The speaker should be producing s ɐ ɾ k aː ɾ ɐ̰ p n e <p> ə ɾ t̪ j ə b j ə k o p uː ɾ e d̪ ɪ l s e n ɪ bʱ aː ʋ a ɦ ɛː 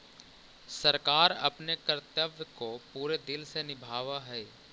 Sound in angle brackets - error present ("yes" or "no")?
yes